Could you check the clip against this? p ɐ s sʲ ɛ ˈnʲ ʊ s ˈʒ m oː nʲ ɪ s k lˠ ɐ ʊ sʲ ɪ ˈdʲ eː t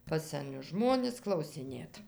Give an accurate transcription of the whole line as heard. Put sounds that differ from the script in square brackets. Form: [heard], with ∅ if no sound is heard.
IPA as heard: p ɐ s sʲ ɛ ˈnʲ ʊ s ˈʒ m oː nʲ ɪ s k lˠ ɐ ʊ sʲ ɪ [ˈnʲ] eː t